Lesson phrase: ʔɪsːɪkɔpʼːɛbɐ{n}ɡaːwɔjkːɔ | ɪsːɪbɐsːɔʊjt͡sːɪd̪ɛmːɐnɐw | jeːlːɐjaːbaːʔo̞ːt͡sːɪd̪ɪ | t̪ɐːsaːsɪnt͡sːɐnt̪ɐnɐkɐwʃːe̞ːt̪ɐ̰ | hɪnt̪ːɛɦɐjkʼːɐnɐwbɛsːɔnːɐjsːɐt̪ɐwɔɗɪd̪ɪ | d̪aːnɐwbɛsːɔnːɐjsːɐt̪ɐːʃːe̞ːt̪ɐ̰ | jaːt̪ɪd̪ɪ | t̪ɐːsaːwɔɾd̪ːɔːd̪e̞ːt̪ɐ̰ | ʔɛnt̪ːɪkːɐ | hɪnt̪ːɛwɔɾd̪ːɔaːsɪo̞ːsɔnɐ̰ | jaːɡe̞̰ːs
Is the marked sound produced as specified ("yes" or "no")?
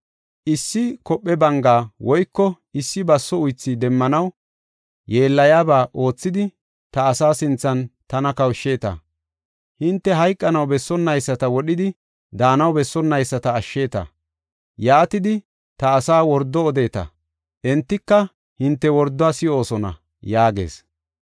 no